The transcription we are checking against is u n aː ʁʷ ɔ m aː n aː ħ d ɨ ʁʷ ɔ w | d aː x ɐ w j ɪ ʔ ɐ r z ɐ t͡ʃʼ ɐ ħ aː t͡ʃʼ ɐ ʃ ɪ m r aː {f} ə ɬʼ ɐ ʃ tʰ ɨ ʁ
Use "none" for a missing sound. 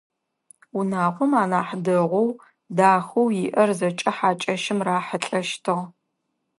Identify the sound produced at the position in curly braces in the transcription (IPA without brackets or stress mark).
ħ